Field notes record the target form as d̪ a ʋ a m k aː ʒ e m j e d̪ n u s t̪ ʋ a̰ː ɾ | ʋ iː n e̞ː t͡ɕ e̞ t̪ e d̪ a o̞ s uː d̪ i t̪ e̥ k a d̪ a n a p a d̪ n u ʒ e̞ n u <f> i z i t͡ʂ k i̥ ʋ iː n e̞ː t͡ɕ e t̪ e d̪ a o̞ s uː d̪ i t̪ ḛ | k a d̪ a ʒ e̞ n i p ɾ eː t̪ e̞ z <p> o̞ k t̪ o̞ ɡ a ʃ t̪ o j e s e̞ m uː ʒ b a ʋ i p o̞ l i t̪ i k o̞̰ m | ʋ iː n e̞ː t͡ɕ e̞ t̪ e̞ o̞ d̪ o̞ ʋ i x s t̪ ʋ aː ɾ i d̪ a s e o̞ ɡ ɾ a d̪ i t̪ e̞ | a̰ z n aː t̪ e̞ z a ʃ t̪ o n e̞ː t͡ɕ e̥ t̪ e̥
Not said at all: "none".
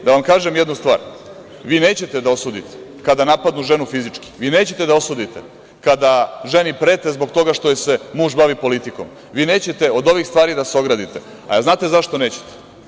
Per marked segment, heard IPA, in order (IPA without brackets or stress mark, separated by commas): f, b